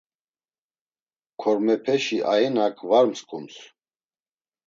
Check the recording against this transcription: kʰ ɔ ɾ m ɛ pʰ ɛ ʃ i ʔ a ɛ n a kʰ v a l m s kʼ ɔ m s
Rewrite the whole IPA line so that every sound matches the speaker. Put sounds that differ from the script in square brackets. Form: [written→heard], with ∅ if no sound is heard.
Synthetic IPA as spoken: kʰ ɔ ɾ m ɛ pʰ ɛ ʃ i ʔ a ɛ n a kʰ v a [l→ɾ] m s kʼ [ɔ→u] m s